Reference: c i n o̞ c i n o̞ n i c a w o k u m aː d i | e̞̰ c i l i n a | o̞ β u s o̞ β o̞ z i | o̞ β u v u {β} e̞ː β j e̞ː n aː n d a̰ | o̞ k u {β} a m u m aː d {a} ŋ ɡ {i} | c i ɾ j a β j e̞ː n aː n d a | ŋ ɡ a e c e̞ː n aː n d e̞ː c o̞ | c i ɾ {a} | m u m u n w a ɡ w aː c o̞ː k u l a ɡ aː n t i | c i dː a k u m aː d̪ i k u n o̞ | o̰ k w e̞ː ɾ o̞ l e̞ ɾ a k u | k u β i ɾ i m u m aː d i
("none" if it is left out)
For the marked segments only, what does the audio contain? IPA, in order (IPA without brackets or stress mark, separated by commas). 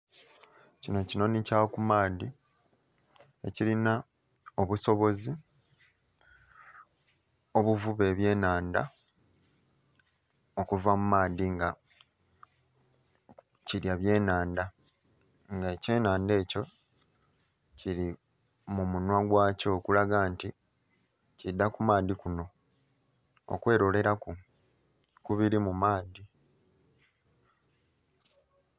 β, v, i, a, i